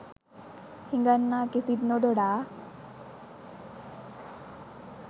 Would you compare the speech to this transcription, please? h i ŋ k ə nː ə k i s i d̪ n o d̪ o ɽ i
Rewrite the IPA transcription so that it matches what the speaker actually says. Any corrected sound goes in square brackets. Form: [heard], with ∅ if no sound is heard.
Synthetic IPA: h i ŋ [ɡ] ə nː [a] k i s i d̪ n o d̪ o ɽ [a]